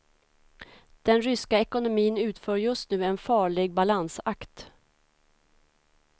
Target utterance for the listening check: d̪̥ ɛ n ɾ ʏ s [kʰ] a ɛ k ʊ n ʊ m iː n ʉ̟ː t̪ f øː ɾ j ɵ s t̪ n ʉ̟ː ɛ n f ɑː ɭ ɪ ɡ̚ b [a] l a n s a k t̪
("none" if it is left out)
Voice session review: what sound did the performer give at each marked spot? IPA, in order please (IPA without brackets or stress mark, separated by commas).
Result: k, a